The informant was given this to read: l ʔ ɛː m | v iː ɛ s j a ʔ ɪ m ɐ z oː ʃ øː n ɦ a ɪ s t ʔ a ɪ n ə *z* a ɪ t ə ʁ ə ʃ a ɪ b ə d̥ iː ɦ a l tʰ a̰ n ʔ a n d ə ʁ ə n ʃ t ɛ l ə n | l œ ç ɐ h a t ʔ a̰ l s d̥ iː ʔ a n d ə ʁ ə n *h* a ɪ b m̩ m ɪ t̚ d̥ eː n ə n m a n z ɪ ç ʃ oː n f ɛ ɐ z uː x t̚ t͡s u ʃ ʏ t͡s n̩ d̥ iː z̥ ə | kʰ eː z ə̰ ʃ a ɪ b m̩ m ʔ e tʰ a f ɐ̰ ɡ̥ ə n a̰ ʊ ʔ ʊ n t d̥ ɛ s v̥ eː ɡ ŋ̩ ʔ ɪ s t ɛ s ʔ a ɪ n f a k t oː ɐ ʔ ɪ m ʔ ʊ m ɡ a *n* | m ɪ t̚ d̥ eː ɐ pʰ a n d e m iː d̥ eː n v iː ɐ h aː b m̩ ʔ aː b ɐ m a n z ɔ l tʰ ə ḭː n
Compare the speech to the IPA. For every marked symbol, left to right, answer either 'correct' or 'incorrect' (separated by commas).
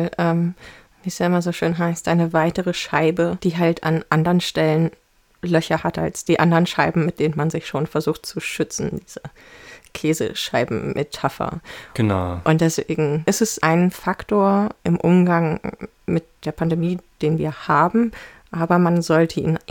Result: incorrect, incorrect, incorrect